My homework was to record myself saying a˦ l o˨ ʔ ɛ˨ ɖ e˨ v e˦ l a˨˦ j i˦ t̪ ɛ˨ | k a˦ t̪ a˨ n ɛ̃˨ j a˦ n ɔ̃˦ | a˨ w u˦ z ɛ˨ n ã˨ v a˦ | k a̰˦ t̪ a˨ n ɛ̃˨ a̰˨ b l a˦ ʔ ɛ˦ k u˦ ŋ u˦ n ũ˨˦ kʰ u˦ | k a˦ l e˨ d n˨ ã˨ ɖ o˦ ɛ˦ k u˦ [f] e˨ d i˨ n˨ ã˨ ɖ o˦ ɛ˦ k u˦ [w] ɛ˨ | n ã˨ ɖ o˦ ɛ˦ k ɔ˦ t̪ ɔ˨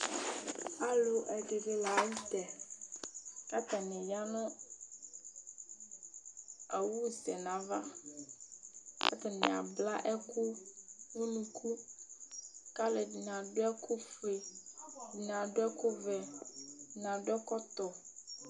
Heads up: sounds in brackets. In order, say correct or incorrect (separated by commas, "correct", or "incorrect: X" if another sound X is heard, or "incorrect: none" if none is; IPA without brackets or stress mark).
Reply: correct, incorrect: v